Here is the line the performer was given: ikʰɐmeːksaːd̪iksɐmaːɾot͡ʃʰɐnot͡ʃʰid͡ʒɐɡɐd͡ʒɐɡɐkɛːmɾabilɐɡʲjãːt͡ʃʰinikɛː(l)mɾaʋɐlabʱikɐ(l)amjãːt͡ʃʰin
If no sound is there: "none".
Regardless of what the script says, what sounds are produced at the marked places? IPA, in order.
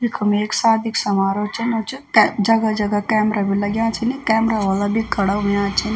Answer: none, ɽ

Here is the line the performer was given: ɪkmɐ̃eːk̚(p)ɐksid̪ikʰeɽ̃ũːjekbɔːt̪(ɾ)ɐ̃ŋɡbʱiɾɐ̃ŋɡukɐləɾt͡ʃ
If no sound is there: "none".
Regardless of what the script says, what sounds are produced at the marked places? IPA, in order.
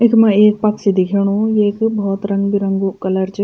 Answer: p, ɾ

